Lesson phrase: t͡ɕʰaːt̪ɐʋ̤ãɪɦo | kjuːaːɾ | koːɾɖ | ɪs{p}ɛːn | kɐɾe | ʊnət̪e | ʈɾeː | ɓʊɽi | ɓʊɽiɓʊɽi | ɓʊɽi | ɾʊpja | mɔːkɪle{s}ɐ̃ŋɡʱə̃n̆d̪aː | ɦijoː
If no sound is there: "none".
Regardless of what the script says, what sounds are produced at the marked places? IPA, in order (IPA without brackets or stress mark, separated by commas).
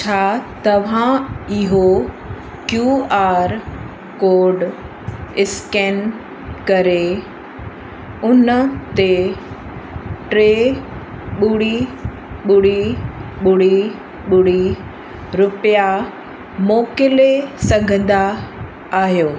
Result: k, s